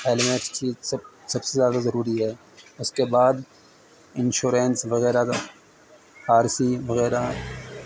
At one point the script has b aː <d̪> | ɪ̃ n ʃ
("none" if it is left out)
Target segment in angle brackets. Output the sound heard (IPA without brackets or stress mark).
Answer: d̪